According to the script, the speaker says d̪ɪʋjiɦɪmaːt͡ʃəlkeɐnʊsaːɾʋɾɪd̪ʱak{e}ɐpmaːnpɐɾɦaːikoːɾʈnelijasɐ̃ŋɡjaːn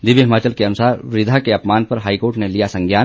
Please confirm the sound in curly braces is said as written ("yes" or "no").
yes